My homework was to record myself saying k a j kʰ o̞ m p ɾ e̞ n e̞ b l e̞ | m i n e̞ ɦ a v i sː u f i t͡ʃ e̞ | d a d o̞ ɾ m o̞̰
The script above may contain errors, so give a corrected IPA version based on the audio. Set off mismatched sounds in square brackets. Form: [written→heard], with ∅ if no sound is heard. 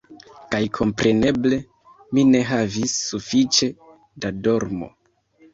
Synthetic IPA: k a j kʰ o̞ m p ɾ e̞ n e̞ b l e̞ | m i n e̞ ɦ a v i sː u f i t͡ʃ e̞ | d a d o̞ ɾ m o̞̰